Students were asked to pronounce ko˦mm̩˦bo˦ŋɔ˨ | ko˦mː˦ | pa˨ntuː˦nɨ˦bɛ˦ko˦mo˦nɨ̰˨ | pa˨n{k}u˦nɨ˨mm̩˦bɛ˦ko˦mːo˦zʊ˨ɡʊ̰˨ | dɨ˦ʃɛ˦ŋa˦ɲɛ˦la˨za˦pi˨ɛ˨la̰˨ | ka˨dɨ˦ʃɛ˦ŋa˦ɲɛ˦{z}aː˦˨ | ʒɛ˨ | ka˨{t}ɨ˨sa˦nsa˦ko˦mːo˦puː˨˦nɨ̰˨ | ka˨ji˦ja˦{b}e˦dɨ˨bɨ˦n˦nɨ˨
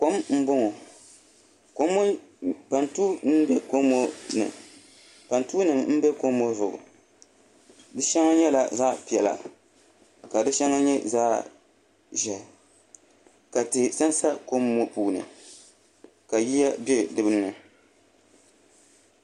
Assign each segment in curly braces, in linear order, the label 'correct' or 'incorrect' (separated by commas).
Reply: incorrect, correct, correct, correct